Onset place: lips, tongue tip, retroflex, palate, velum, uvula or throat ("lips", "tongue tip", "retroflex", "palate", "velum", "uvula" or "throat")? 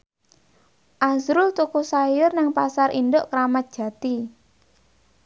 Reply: throat